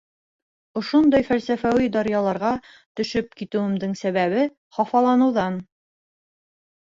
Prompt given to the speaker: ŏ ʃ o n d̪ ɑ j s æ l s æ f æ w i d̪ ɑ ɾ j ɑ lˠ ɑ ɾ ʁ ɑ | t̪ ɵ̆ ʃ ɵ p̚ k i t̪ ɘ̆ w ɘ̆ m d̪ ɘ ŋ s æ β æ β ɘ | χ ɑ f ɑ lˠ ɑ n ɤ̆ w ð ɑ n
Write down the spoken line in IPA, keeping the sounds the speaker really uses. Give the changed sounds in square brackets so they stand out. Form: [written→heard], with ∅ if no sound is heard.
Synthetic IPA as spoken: ŏ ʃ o n d̪ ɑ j [s→f] æ l s æ f æ w i d̪ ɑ ɾ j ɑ lˠ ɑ ɾ ʁ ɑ | t̪ ɵ̆ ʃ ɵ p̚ k i t̪ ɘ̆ w ɘ̆ m d̪ ɘ ŋ s æ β æ β ɘ | χ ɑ f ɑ lˠ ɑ n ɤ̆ w ð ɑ n